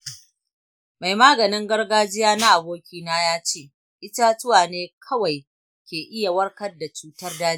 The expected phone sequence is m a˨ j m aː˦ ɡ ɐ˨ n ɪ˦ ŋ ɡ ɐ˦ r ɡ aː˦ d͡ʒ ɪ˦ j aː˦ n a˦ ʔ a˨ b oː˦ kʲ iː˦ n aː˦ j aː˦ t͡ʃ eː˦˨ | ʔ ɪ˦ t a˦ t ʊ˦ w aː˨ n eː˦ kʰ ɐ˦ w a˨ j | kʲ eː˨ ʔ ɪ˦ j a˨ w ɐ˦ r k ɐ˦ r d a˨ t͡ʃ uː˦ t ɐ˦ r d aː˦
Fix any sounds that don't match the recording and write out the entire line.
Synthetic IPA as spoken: m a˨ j m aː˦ ɡ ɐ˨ n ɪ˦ ŋ ɡ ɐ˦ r ɡ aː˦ d͡ʒ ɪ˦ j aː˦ n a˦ ʔ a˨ b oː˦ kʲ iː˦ n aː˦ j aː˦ t͡ʃ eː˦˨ | ʔ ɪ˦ t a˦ t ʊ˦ w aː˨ n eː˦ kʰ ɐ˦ w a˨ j | kʲ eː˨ ʔ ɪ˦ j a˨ w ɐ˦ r k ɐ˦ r d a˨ t͡ʃ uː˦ t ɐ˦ r d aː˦